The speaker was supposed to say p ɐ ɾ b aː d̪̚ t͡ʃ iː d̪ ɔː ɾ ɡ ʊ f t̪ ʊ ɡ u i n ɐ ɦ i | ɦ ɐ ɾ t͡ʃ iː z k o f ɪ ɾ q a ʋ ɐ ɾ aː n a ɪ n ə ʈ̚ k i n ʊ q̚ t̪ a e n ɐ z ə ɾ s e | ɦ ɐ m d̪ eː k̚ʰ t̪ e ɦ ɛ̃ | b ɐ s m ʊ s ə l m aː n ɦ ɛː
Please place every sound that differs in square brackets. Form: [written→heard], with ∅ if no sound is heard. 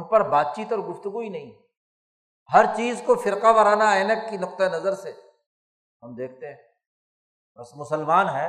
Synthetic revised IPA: p ɐ ɾ b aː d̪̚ t͡ʃ iː [d̪→t̪] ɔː ɾ ɡ ʊ f t̪ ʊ ɡ u i n ɐ ɦ [i→ĩ] | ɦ ɐ ɾ t͡ʃ iː z k o f ɪ ɾ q a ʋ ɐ ɾ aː n a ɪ n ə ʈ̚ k i n ʊ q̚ t̪ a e n ɐ z ə ɾ s e | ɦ ɐ m d̪ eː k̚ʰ t̪ e ɦ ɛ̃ | b ɐ s m ʊ s ə l m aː n ɦ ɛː